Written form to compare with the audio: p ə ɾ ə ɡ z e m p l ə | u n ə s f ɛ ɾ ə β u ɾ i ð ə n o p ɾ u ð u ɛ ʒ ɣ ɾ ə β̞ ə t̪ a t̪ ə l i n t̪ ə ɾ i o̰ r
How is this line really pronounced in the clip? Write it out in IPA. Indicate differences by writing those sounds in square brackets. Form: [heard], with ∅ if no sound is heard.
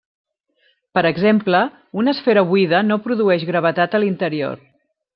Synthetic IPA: p ə ɾ ə ɡ z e m p l ə | u n ə s f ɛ ɾ ə β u [∅] i ð ə n o p ɾ u ð u ɛ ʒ ɣ ɾ ə β̞ ə t̪ a t̪ ə l i n t̪ ə ɾ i o̰ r